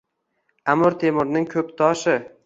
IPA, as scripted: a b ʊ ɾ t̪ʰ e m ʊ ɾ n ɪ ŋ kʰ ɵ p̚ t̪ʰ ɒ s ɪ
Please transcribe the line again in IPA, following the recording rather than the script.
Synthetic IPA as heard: a m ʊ ɾ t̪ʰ e m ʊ ɾ n ɪ ŋ kʰ ɵ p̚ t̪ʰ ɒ ʃ ɪ